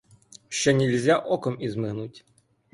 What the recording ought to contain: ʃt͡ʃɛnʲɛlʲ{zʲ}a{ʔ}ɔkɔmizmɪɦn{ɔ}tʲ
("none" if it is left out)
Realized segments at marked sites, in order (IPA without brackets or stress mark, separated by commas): zʲ, ʔ, u